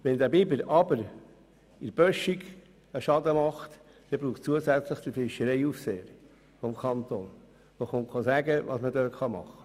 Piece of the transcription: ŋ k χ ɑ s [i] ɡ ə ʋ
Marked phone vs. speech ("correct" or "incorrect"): incorrect